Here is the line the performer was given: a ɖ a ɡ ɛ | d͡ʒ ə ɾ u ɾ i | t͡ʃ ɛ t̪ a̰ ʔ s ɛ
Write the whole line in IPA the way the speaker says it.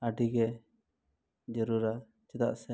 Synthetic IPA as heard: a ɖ i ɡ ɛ | d͡ʒ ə ɾ u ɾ a | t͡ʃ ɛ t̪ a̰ ʔ s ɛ